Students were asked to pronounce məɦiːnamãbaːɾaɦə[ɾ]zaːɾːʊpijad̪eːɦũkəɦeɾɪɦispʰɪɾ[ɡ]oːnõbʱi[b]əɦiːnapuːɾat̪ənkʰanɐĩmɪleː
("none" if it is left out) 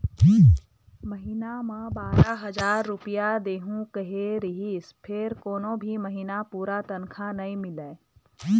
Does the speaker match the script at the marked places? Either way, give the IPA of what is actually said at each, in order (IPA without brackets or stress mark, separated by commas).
none, k, m